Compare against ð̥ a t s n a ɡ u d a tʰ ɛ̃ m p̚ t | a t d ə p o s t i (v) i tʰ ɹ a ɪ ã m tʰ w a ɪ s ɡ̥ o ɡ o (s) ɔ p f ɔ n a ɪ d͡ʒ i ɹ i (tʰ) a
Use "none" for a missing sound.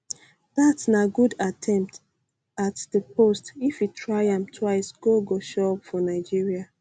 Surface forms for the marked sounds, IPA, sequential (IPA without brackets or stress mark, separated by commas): f, ʃ, none